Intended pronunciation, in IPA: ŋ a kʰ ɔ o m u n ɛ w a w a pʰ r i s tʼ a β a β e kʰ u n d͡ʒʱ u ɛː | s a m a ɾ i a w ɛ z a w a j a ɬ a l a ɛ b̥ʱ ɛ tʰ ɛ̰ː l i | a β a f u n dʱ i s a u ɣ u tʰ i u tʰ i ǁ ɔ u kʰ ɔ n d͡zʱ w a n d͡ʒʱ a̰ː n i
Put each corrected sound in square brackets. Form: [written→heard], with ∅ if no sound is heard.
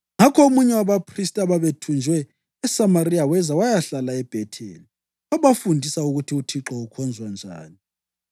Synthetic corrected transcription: ŋ a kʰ ɔ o m u [n→ɲ] ɛ w a [w→β] a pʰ r i s tʼ a β a β e [kʰ→tʰ] u n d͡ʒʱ [u→w] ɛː | s a m a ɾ i a w ɛ z a w a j a ɬ a l a ɛ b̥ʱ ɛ tʰ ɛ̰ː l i | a β a f u n dʱ i s a u ɣ u tʰ i u tʰ i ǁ ɔ u kʰ ɔ n d͡zʱ w a n d͡ʒʱ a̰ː n i